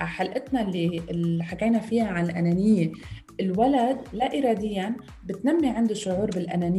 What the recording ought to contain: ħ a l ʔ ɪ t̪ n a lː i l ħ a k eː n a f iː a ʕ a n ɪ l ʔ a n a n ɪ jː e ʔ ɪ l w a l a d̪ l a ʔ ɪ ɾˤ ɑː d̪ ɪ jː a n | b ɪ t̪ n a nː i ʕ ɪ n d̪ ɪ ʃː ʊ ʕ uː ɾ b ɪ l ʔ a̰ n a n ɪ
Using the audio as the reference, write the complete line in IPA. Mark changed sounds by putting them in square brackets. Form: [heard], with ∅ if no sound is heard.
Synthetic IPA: ħ a l ʔ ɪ t̪ n a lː i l ħ a k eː n a f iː a ʕ a n ɪ l ʔ a n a n ɪ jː e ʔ ɪ l w a l a d̪ l a ʔ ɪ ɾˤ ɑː d̪ ɪ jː a n | b ɪ t̪ n a [mː] i ʕ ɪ n d̪ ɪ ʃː ʊ ʕ uː ɾ b ɪ l ʔ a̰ n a n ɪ